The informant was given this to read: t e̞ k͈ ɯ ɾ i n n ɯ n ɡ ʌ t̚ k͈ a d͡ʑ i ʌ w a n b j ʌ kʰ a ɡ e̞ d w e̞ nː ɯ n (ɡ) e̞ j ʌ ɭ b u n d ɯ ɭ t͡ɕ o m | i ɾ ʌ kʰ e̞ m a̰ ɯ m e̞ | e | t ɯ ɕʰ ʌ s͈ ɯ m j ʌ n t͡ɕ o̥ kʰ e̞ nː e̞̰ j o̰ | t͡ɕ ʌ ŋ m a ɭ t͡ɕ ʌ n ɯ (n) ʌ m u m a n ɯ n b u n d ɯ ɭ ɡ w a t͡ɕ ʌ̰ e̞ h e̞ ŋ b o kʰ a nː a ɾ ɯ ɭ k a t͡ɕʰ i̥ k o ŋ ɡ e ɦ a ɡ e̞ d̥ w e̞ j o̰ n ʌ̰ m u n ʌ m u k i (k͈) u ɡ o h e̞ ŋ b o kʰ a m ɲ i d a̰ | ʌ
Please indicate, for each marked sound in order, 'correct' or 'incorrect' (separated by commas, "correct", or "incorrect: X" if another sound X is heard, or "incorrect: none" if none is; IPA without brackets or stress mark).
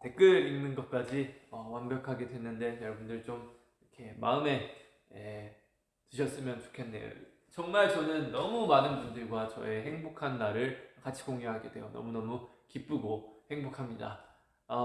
incorrect: d, incorrect: nː, incorrect: p͈